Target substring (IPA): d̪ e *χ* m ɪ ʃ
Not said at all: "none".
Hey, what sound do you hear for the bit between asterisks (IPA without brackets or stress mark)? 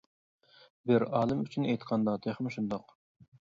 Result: χ